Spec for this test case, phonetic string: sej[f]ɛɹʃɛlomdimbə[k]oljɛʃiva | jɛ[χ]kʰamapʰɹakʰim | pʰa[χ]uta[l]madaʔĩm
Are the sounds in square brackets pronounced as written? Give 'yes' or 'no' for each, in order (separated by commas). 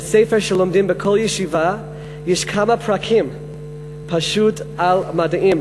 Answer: yes, no, no, no, yes